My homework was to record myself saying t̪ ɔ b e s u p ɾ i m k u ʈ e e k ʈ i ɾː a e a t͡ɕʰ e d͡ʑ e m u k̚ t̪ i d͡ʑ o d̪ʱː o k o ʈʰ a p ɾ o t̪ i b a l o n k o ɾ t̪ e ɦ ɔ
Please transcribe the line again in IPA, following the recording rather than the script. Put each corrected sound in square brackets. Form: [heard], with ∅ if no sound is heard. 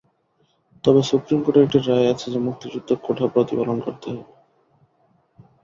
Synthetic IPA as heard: t̪ ɔ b e s u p ɾ i m k [o] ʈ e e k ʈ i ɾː a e a t͡ɕʰ e d͡ʑ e m u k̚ t̪ i d͡ʑ [u] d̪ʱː o k o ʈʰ a p ɾ o t̪ i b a l o n k o ɾ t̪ e ɦ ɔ